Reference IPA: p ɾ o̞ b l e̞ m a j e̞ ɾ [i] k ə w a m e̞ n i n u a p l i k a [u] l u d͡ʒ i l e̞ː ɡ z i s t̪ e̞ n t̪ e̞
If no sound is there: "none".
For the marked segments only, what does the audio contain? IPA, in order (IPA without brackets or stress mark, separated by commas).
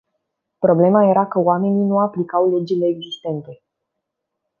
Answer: a, w